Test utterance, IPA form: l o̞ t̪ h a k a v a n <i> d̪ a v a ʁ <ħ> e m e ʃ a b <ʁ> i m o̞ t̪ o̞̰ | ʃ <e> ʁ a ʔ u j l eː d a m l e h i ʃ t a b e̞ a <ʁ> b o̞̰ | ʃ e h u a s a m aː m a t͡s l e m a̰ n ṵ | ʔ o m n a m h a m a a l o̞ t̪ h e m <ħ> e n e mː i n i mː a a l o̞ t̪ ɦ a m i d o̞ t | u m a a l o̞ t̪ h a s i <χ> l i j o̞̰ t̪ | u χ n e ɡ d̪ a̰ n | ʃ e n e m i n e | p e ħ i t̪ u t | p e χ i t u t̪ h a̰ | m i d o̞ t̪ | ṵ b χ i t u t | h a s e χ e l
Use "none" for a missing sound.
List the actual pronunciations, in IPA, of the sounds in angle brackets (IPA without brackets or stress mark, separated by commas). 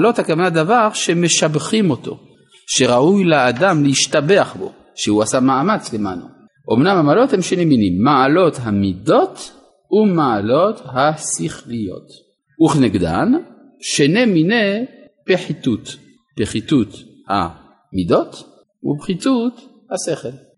a, ʃ, χ, e, χ, ʃ, χ